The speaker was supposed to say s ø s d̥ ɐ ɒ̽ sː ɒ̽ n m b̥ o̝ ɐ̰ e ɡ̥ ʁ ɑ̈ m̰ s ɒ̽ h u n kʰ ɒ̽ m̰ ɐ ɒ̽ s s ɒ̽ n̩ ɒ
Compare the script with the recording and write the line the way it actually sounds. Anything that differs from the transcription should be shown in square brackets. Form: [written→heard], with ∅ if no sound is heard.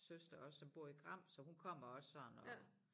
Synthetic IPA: s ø s d̥ ɐ ɒ̽ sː ɒ̽ [n→∅] m b̥ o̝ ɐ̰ [e→i] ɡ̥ ʁ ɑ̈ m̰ s ɒ̽ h u n kʰ ɒ̽ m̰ ɐ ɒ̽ s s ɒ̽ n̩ ɒ